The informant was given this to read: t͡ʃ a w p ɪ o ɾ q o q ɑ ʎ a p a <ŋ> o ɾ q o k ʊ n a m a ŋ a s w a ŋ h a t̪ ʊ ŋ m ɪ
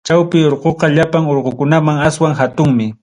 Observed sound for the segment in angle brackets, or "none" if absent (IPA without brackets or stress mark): ŋ